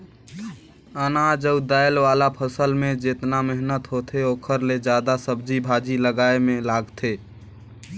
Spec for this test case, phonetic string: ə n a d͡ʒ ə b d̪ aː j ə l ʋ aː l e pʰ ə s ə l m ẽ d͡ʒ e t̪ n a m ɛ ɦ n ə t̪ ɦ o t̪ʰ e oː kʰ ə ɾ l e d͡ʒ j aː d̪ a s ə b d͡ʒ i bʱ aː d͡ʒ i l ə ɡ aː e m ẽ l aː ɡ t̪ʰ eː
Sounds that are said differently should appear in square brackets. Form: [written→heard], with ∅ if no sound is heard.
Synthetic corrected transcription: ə n a d͡ʒ ə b d̪ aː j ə l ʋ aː l [e→a] pʰ ə s ə l m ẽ d͡ʒ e t̪ n a m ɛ ɦ n ə t̪ ɦ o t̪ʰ e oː kʰ ə ɾ l e d͡ʒ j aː d̪ a s ə b d͡ʒ i bʱ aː d͡ʒ i l ə ɡ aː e m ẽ l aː ɡ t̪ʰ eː

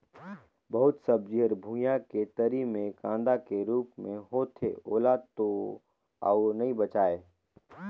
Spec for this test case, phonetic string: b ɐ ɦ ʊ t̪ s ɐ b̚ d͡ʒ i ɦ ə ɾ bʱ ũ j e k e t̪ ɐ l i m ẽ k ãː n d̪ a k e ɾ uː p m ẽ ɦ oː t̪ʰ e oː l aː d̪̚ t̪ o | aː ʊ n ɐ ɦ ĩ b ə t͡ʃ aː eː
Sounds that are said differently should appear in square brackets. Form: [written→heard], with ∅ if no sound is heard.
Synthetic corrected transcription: b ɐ ɦ ʊ t̪ s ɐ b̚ d͡ʒ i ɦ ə ɾ bʱ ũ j [e→a] k e t̪ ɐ [l→ɾ] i m ẽ k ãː n d̪ a k e ɾ uː p m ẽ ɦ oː t̪ʰ e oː l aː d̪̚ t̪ o | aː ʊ n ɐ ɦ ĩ b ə t͡ʃ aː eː

